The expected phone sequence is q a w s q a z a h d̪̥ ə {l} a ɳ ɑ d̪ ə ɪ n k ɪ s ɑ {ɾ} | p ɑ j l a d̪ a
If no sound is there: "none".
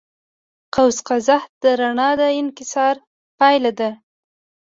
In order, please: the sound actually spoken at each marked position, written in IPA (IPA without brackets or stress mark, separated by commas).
ɾ, ɾ